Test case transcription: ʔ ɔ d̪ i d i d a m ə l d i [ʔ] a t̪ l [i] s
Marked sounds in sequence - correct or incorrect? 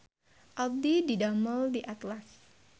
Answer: correct, incorrect: a

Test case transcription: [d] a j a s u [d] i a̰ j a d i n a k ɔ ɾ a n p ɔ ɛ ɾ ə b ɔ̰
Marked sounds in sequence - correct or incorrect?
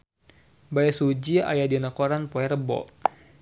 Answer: incorrect: b, incorrect: d͡ʒ

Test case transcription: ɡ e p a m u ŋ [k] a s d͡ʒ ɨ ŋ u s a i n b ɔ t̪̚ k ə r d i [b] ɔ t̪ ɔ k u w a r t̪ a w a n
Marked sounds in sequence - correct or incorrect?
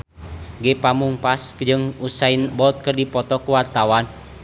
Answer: incorrect: p, incorrect: p

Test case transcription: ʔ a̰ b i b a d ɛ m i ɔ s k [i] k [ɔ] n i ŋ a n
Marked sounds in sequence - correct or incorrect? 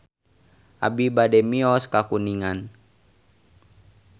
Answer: incorrect: a, incorrect: u

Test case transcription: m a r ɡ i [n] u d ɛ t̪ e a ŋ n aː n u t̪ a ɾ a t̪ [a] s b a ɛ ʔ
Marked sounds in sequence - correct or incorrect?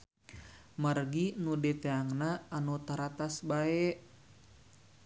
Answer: correct, correct

